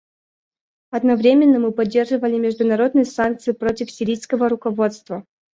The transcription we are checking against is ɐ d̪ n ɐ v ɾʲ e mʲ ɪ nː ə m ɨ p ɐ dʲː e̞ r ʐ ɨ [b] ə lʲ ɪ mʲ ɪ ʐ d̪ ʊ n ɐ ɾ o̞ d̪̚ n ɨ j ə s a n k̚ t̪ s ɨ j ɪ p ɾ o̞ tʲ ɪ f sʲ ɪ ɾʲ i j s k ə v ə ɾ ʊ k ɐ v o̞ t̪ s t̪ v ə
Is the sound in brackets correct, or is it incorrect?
incorrect: v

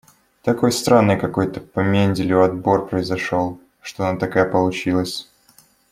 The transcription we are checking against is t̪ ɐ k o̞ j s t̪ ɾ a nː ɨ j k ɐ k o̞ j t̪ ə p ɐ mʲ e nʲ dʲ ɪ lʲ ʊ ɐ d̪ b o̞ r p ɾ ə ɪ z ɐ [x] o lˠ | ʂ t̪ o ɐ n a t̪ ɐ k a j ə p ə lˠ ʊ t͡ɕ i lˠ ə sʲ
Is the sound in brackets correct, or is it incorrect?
incorrect: ʂ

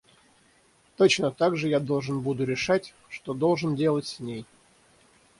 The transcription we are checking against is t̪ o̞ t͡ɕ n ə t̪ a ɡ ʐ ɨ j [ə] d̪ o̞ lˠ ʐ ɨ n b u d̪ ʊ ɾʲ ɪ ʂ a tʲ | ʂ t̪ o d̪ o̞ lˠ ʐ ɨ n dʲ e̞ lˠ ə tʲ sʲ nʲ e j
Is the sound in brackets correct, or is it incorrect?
incorrect: a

